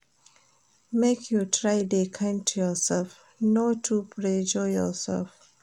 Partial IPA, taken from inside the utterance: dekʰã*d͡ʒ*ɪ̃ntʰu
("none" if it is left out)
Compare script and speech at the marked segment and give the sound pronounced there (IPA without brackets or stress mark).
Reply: none